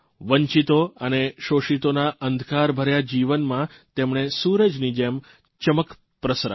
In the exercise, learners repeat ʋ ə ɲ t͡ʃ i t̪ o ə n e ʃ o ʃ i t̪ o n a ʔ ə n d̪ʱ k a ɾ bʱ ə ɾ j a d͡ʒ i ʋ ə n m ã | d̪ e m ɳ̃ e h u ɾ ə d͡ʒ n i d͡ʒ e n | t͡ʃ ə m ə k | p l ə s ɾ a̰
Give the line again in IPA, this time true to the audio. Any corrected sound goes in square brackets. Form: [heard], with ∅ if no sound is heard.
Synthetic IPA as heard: ʋ ə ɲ t͡ʃ i t̪ o ə n e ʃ o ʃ i t̪ o n a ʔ ə n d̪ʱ k a ɾ bʱ ə ɾ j a d͡ʒ i ʋ ə n m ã | [t̪] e m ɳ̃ e [s] u ɾ ə d͡ʒ n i d͡ʒ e [m] | t͡ʃ ə m ə k | p [ɾ] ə s ɾ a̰

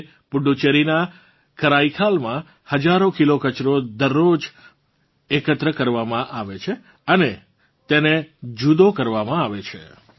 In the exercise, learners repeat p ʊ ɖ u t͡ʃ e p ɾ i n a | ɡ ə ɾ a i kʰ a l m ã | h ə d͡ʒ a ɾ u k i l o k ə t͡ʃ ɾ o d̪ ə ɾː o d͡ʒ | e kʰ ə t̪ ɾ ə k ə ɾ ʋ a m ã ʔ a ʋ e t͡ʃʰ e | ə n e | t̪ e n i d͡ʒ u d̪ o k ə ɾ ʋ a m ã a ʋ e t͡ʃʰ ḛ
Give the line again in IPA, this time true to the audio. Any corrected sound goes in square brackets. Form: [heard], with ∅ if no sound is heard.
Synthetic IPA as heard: p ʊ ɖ u t͡ʃ e [∅] ɾ i n a | [k] ə ɾ a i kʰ a l m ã | h ə d͡ʒ a ɾ [o] k i l o k ə t͡ʃ ɾ o d̪ ə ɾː o d͡ʒ | e [k] ə t̪ ɾ ə k ə ɾ ʋ a m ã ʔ a ʋ e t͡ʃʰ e | ə n e | t̪ e n [e] d͡ʒ u d̪ o k ə ɾ ʋ a m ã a ʋ e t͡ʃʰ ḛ

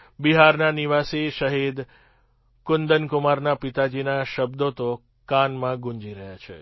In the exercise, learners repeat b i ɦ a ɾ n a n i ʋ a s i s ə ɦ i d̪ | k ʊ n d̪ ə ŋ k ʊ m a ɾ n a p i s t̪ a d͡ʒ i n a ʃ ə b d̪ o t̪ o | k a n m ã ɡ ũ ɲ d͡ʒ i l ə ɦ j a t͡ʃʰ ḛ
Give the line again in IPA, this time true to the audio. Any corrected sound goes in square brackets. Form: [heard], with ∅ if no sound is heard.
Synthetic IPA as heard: b i ɦ a ɾ n a n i ʋ a s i [ʃ] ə ɦ i d̪ | k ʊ n d̪ ə [n] k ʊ m a ɾ n a p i [∅] t̪ a d͡ʒ i n a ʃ ə b d̪ o t̪ o | k a n m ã ɡ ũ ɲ d͡ʒ i [ɾ] ə ɦ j a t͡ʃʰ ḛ

